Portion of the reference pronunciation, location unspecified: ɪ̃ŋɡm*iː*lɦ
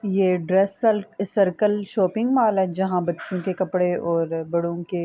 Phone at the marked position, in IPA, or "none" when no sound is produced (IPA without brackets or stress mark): aː